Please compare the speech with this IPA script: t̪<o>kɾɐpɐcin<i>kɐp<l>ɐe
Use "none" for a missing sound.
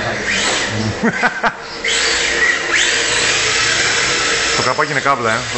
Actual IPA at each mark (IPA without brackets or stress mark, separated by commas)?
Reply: o, e, l